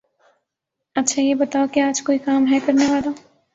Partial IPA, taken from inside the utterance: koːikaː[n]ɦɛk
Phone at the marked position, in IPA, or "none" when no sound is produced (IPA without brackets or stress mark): m